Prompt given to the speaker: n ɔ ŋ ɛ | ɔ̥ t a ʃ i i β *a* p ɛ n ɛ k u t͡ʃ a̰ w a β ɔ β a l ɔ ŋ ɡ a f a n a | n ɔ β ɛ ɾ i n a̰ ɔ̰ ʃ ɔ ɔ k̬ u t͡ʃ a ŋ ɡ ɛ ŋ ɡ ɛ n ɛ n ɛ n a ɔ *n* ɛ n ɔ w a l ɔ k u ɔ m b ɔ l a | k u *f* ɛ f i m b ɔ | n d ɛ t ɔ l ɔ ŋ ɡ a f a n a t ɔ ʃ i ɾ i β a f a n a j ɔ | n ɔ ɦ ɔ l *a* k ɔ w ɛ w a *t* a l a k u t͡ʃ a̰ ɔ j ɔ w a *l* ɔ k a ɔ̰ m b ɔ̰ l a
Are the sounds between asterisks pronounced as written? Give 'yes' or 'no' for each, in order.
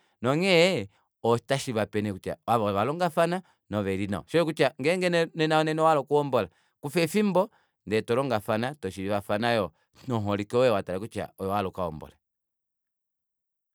yes, yes, yes, no, yes, yes

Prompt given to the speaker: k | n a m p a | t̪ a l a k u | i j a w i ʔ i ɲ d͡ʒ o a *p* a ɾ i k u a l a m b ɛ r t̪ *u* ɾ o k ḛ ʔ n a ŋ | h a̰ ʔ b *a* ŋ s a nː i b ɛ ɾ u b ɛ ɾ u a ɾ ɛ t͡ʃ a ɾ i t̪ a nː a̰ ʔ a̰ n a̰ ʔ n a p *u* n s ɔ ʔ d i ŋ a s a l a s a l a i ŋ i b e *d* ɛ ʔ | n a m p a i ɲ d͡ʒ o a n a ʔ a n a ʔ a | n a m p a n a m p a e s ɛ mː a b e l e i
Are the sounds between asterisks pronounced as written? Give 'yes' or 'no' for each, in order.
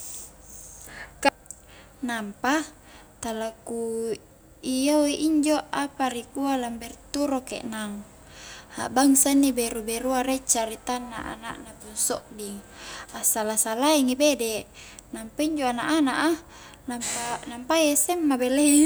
yes, yes, yes, yes, yes

